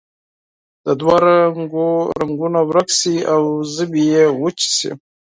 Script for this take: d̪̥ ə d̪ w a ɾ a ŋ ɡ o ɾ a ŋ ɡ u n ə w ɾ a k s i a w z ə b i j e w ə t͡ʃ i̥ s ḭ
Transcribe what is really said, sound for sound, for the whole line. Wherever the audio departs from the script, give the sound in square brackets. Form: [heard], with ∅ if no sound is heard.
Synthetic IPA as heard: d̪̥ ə d̪ w a ɾ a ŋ ɡ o ɾ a ŋ ɡ u n [a] w ɾ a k s i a w z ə b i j e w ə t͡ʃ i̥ s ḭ